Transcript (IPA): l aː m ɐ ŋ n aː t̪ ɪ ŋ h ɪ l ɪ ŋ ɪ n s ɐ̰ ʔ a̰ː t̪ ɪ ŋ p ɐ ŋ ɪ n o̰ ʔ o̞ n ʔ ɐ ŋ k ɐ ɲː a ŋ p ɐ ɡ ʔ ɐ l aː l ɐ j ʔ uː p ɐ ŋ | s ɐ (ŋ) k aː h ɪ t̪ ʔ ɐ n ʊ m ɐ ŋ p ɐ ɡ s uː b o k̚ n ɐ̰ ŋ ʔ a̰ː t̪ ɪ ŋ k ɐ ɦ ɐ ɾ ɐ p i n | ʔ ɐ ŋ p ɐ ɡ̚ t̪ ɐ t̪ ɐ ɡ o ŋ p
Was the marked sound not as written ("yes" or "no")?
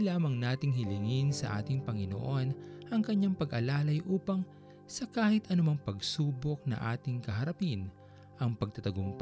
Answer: yes